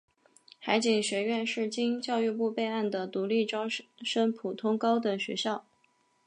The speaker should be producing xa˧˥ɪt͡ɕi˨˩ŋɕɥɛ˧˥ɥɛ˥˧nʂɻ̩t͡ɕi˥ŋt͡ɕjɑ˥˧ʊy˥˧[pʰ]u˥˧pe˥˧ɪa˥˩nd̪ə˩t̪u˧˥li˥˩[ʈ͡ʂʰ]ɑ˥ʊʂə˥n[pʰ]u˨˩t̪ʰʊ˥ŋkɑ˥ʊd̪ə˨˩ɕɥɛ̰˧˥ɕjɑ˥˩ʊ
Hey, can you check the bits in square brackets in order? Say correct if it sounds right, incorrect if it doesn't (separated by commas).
incorrect, incorrect, correct